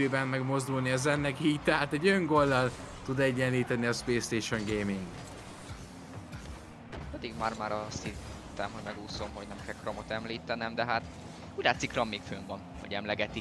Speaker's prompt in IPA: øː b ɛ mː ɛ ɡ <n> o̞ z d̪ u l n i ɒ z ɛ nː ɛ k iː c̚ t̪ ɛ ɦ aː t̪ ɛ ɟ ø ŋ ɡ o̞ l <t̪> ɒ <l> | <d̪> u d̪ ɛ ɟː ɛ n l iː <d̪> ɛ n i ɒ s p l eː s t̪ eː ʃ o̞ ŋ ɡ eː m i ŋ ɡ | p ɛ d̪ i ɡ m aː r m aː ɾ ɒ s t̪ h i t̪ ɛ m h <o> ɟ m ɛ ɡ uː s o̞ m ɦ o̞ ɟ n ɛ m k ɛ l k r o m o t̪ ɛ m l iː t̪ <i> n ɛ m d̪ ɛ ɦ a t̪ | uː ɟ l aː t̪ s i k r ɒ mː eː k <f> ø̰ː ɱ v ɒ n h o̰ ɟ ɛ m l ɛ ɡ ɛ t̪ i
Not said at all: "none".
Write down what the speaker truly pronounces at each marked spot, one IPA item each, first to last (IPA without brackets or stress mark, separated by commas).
m, d̪, l, t̪, t̪, o, ɛ, f